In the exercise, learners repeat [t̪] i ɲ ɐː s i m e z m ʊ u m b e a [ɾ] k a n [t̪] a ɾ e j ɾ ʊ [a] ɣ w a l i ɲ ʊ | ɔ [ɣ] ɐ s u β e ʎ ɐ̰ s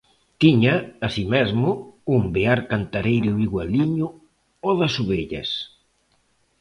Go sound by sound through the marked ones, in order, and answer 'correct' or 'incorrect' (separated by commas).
correct, correct, correct, incorrect, incorrect